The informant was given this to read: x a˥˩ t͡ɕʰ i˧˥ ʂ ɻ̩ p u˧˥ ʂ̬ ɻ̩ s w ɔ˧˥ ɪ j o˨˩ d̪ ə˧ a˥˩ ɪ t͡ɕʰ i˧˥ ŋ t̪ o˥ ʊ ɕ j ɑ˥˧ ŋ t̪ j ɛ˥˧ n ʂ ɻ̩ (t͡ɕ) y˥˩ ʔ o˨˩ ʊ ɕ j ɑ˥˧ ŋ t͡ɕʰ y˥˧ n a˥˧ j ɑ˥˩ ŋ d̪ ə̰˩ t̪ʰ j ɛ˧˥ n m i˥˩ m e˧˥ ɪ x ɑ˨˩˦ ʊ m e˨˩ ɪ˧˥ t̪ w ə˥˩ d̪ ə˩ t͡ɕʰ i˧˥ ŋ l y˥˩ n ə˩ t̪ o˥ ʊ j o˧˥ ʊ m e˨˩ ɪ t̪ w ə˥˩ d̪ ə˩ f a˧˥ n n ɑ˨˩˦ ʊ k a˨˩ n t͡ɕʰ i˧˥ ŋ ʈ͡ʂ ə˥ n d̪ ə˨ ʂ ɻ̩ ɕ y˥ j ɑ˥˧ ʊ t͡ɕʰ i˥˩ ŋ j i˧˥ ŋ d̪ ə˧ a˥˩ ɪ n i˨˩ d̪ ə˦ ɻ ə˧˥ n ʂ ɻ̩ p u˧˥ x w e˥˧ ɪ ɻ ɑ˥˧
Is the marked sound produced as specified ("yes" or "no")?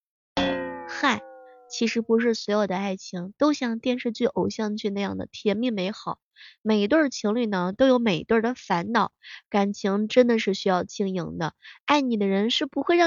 yes